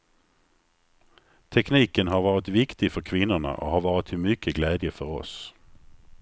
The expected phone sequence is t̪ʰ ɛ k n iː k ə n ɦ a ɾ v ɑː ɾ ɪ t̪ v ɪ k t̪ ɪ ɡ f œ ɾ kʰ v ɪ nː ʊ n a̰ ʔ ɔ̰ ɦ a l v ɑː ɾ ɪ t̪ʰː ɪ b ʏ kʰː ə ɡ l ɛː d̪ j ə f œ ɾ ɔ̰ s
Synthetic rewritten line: t̪ʰ ɛ k n iː k ə n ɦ a ɾ v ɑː ɾ ɪ t̪ v ɪ k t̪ ɪ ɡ f œ ɾ kʰ v ɪ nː ʊ ɳ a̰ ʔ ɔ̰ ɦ a ɾ v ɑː ɾ ɪ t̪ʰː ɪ m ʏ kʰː ə ɡ l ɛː d̪ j ə f œ ɾ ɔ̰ s

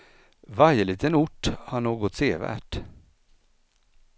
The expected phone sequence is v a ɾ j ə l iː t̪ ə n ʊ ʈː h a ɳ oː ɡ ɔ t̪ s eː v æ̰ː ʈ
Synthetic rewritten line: v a ɾ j ə l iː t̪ ə n ʊ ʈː h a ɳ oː ɡ ɔ t̪ s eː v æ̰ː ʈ

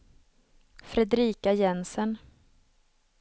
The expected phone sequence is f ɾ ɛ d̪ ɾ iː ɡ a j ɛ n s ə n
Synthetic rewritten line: f ɾ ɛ d̪ ɾ iː k a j ɛ n s ə n

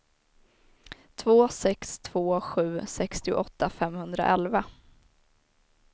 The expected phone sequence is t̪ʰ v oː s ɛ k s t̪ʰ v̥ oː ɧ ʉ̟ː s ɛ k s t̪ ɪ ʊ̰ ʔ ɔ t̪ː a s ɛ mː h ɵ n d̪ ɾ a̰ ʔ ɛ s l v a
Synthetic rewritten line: t̪ʰ v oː s ɛ k s t̪ʰ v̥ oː ɧ ʉ̟ː s ɛ k s t̪ ɪ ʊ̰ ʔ ɔ t̪ː a f ɛ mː h ɵ n d̪ ɾ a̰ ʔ ɛ l v a

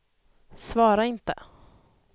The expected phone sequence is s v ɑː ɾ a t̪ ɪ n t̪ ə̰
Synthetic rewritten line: s v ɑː ɾ a ɪ n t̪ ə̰

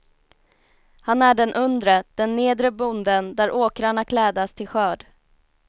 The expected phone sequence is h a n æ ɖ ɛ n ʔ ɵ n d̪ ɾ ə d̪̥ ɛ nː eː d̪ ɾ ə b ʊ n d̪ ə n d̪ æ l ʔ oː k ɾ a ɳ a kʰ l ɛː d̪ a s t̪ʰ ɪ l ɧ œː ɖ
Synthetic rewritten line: h a n æ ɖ ɛ n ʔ ɵ n d̪ ɾ ə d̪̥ ɛ nː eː d̪ ɾ ə b ʊ n d̪ ə n d̪ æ ɾ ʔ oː k ɾ a ɳ a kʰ l ɛː d̪ a s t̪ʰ ɪ l ɧ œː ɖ

